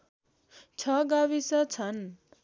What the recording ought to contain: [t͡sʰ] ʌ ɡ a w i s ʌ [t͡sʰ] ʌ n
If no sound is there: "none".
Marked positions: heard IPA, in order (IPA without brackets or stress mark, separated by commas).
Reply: t͡sʰ, t͡sʰ